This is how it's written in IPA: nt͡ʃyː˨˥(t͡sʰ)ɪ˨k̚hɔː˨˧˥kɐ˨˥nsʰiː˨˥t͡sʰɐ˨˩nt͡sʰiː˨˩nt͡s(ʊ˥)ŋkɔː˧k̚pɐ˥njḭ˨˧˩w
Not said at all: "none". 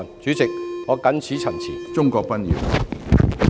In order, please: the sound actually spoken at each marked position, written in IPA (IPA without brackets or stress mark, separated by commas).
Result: t͡s, ʊ˥